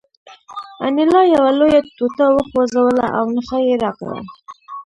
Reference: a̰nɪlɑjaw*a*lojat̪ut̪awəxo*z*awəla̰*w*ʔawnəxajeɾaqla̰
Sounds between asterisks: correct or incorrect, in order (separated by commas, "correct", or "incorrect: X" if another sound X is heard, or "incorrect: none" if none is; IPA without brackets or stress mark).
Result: correct, correct, incorrect: none